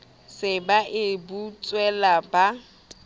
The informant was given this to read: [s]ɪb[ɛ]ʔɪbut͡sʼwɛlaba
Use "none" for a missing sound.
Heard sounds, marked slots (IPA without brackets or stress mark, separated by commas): s, a